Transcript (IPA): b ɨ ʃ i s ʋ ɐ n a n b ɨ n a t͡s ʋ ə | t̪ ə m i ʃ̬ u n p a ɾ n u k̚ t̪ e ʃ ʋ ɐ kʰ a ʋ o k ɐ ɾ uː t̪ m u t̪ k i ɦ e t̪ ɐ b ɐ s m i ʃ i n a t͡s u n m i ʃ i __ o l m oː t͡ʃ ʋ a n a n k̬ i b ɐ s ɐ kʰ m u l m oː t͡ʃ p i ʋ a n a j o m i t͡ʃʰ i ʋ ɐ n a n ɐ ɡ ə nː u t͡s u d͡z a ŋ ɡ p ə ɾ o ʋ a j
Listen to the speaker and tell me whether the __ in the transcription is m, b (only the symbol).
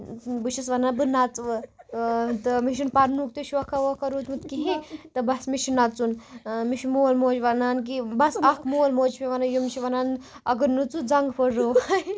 m